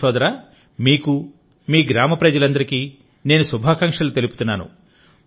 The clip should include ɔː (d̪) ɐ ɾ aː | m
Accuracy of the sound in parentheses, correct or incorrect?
correct